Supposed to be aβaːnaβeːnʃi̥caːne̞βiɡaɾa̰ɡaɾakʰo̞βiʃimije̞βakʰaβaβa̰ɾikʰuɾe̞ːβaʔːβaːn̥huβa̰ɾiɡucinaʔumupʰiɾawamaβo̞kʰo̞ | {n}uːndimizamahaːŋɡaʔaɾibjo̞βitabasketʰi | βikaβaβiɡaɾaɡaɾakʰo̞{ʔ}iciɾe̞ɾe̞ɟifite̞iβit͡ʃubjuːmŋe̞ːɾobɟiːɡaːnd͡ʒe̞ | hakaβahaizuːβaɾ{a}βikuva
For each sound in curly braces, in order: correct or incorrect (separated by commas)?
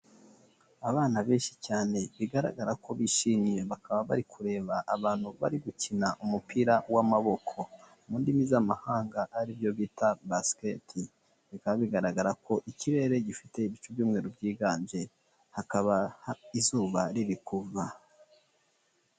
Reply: incorrect, correct, incorrect